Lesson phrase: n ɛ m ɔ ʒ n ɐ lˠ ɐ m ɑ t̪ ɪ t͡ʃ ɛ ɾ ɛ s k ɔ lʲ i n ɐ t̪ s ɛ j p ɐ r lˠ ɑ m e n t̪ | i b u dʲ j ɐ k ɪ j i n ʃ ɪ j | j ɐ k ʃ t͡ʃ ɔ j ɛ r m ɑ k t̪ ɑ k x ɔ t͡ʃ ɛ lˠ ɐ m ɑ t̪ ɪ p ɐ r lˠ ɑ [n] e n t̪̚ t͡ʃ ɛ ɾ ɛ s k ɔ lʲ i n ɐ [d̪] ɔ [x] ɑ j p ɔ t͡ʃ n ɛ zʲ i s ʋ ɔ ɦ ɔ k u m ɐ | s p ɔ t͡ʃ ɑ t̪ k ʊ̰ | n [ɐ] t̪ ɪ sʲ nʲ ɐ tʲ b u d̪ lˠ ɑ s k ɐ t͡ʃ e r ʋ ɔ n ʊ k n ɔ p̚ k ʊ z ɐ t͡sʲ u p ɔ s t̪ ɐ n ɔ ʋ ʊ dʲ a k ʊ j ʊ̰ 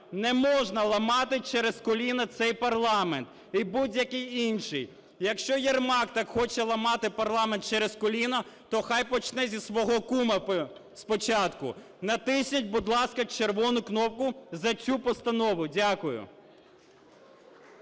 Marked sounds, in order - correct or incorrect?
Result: incorrect: m, incorrect: t̪, correct, correct

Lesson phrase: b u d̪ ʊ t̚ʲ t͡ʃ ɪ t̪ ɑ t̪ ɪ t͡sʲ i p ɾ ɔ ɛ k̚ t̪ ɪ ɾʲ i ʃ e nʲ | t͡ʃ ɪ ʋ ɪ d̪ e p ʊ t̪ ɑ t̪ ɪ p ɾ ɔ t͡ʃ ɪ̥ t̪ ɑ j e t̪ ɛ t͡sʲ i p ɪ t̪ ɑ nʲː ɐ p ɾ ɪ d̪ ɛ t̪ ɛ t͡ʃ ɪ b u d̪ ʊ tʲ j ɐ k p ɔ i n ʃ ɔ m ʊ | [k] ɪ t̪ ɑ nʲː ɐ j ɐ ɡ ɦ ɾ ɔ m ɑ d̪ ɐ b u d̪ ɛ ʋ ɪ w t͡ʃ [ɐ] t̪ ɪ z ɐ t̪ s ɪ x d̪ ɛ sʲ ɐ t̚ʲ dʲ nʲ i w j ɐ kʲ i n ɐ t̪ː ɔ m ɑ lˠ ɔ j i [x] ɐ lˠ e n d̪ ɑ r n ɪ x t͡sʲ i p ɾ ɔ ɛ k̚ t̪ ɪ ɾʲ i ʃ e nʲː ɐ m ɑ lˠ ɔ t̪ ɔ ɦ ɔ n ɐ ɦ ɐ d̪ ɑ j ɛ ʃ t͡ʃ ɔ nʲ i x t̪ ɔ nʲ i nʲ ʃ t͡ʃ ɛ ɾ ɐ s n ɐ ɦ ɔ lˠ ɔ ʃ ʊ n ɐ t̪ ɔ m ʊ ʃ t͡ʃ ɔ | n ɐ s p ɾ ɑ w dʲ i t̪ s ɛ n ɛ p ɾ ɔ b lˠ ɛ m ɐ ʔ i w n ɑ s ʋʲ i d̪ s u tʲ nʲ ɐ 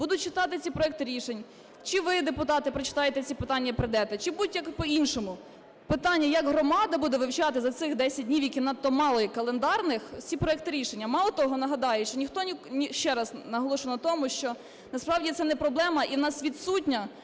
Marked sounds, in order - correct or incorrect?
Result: incorrect: p, incorrect: ɑ, incorrect: k

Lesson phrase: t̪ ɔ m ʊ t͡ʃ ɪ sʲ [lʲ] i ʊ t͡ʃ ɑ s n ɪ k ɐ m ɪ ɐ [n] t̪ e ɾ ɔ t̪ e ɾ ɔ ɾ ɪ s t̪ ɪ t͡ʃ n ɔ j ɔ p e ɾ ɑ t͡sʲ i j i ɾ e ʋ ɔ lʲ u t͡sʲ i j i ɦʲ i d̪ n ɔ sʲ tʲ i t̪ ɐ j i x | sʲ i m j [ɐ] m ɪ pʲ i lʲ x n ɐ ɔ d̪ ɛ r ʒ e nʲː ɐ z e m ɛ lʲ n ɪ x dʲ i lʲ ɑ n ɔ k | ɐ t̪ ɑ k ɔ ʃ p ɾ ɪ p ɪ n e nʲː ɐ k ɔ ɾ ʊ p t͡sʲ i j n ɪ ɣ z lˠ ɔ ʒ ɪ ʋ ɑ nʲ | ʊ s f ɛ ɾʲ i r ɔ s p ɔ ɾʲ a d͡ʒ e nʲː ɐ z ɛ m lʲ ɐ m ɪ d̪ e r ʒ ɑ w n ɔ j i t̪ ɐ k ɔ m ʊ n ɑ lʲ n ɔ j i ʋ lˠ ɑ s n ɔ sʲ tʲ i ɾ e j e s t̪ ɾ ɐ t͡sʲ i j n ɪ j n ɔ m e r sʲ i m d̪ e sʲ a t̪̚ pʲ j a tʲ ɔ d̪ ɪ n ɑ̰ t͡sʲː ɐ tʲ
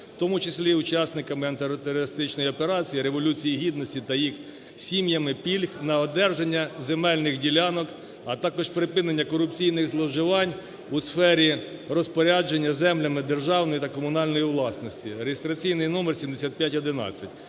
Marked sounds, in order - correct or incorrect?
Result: correct, correct, correct

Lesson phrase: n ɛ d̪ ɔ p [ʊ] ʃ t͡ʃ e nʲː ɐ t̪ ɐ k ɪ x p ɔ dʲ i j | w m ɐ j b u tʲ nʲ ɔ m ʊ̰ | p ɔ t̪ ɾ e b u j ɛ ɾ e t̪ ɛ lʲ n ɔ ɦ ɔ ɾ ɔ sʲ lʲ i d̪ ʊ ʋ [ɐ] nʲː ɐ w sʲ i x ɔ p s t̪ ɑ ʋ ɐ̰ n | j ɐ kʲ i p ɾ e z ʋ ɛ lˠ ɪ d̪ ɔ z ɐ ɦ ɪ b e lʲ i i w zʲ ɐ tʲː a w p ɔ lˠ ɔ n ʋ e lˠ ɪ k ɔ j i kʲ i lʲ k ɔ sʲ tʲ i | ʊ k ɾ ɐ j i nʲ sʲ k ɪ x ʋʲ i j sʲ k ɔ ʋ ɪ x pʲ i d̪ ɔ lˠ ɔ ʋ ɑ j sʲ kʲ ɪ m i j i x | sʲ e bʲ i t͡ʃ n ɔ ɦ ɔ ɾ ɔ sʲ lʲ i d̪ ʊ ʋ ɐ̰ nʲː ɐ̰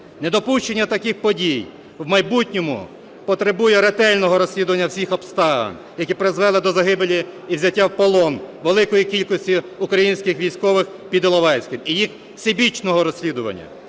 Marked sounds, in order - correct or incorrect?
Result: incorrect: u, correct

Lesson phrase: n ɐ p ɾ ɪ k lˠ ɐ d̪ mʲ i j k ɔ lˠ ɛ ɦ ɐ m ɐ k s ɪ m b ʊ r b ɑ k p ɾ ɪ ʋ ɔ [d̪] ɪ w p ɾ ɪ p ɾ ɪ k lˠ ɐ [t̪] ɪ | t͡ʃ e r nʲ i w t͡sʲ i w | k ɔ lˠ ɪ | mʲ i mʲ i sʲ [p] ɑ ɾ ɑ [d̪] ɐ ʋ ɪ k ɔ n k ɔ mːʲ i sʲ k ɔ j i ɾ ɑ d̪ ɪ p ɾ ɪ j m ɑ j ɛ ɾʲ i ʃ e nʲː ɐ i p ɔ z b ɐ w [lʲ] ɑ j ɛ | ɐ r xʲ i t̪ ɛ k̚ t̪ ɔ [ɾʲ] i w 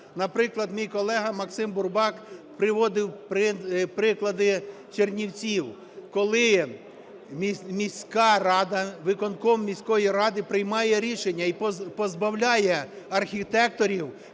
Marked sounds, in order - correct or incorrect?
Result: correct, incorrect: d̪, incorrect: k, correct, correct, correct

